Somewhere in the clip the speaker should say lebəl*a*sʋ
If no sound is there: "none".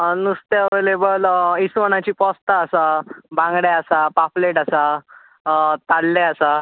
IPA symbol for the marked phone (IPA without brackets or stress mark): i